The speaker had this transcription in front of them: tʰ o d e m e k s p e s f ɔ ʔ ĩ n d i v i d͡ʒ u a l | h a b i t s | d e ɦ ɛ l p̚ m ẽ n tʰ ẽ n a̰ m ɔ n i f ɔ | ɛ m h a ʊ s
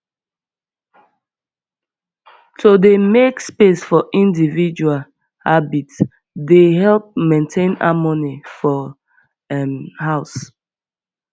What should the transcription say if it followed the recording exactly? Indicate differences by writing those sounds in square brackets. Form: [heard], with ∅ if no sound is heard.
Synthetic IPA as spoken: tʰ o d e m e k s p e s f ɔ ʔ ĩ n d i v i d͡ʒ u a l | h a b i t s | d e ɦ ɛ l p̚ m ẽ n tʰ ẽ n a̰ m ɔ n i f ɔ | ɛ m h a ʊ s